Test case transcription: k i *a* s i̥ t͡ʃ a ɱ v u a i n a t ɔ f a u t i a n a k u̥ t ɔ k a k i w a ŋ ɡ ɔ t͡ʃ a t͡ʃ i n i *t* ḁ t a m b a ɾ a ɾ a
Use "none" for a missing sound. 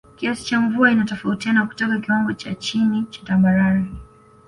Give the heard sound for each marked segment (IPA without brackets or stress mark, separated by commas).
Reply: a, t͡ʃ